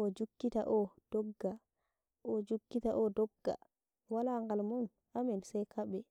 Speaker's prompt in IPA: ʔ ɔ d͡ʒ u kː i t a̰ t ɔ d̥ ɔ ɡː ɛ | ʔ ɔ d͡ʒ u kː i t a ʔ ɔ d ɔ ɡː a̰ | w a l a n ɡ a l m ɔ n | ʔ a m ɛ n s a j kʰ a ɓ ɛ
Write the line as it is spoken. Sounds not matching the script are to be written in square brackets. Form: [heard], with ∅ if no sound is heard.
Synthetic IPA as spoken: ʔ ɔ d͡ʒ u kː i t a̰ [ʔ] ɔ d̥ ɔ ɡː [a] | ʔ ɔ d͡ʒ u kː i t a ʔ ɔ d ɔ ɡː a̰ | w a l a [ŋ] ɡ a l m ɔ n | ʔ a m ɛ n s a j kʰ a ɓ ɛ